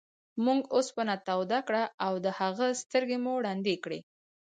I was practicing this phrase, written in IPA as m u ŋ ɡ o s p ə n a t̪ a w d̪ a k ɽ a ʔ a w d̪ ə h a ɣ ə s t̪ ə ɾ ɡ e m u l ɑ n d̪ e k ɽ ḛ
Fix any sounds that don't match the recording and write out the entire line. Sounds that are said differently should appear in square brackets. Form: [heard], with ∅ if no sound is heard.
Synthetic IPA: m u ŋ ɡ o s p ə n a t̪ a w d̪ a k ɽ a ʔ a w d̪ ə h a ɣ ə s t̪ ə ɾ ɡ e m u [ɽ] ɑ n d̪ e k ɽ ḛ